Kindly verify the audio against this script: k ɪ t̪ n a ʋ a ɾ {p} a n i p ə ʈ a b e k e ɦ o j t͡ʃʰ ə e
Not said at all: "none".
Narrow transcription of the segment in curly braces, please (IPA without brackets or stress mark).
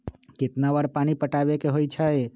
p